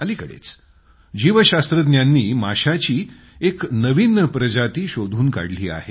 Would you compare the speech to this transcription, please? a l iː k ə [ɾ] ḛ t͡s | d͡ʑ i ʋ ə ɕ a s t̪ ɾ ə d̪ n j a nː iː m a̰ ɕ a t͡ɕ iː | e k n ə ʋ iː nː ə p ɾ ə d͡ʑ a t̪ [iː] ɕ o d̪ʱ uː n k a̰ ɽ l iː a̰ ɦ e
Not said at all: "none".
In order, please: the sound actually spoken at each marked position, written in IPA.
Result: ɽ, iː

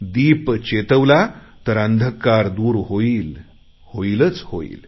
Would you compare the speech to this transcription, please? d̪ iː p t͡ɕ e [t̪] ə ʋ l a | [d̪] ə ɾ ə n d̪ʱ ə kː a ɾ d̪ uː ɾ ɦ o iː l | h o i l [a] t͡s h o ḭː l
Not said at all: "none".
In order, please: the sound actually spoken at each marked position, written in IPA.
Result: t̪, t̪, ə

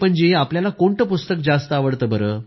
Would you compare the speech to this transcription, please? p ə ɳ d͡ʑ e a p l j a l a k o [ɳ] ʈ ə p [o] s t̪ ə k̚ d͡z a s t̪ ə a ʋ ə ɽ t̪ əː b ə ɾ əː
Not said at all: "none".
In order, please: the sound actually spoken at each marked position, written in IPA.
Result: ɳ, u

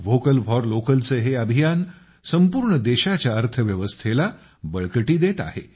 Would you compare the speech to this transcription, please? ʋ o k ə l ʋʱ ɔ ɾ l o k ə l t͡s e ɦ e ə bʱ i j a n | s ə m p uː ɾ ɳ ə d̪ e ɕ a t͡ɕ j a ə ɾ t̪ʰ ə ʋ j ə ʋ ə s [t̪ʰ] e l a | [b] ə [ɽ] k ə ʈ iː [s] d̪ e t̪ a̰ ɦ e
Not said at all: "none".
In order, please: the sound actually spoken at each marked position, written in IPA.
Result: t̪ʰ, b, ɭ, none

